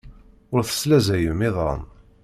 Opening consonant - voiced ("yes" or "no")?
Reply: yes